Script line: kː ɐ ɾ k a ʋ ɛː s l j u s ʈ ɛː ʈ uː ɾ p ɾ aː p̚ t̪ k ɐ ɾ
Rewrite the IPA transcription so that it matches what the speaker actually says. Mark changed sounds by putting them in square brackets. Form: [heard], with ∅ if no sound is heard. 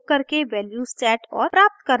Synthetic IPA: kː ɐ ɾ k [e] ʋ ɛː [∅] l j u s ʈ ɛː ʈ [ɔː] ɾ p ɾ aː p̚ t̪ k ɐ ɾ